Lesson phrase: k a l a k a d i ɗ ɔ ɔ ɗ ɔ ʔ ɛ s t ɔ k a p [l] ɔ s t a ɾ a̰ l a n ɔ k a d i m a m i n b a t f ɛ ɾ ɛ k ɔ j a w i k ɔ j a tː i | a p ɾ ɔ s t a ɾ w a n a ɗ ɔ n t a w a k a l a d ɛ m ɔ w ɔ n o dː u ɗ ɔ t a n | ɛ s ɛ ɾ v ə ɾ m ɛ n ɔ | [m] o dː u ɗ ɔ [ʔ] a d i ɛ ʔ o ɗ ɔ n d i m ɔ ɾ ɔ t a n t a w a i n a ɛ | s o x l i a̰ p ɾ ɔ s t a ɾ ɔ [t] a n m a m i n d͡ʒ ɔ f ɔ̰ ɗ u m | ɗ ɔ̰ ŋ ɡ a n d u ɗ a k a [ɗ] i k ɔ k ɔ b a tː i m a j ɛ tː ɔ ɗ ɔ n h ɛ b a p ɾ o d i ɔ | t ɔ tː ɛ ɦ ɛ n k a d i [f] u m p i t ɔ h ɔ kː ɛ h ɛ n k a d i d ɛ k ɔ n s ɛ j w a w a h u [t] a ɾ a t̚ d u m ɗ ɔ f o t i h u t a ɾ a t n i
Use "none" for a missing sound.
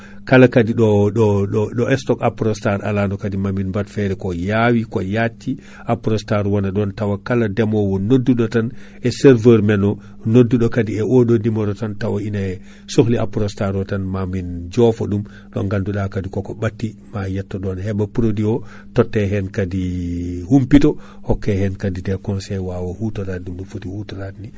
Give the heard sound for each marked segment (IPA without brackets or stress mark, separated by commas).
ɾ, n, k, t, d, h, t